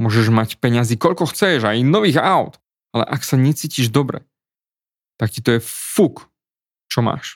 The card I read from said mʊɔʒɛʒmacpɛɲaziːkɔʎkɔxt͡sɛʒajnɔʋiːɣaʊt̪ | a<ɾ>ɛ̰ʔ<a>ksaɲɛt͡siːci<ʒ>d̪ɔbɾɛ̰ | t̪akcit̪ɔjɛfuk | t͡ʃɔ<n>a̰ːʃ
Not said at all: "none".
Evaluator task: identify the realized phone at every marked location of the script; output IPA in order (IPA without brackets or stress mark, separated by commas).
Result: l, a, ʒ, m